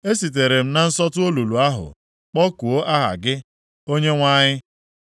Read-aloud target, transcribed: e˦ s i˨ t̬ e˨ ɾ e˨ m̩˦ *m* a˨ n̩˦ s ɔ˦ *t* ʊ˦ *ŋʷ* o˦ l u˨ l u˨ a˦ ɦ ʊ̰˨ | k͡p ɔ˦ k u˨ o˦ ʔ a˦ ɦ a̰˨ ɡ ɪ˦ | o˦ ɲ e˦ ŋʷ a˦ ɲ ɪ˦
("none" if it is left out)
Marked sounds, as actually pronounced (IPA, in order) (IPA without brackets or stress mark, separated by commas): n, t, none